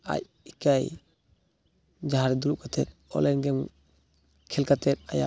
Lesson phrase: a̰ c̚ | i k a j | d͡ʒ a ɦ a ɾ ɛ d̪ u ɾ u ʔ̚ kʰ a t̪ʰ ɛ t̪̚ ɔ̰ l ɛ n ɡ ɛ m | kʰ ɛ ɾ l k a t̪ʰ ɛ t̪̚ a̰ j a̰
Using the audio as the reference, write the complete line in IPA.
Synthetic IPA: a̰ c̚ | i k a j | d͡ʒ a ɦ a ɾ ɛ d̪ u ɾ u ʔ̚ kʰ a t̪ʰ ɛ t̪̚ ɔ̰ l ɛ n ɡ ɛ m | kʰ ɛ l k a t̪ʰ ɛ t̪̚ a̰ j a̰